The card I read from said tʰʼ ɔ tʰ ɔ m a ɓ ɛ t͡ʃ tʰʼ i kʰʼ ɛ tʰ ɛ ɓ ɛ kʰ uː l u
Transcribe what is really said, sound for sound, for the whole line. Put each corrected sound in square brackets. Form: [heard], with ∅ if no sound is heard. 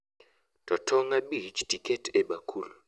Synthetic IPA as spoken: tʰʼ ɔ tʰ ɔ [ŋ] a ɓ [i] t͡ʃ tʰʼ i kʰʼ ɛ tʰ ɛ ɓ [a] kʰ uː l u